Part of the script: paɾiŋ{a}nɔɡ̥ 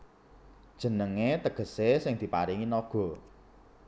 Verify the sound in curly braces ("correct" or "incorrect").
incorrect